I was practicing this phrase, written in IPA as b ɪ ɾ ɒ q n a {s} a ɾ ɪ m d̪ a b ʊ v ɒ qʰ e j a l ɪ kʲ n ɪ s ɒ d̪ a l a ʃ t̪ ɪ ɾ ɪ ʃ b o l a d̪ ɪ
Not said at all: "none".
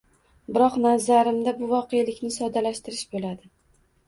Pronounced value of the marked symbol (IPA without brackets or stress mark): z